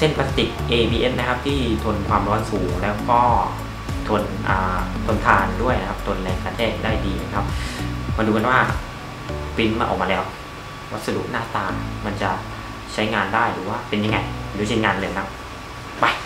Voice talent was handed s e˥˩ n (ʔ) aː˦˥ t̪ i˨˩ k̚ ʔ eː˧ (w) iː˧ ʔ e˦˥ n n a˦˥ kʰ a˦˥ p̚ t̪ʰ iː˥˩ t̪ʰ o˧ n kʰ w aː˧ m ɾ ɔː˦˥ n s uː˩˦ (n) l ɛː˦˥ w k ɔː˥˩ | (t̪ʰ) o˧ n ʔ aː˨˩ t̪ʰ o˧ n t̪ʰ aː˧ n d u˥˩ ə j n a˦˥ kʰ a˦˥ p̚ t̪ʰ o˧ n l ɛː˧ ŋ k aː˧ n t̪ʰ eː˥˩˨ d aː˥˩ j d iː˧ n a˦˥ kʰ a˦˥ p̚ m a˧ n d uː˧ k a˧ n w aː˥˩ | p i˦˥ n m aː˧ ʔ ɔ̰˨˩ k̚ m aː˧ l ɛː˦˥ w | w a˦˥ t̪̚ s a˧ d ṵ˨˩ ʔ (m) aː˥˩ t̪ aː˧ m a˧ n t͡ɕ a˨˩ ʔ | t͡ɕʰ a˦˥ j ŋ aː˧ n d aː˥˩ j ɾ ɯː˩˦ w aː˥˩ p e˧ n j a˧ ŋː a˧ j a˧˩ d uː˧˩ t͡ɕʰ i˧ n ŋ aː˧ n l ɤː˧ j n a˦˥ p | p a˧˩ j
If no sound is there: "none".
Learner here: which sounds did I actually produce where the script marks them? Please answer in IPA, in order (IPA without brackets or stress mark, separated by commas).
p, b, ŋ, t̪ʰ, n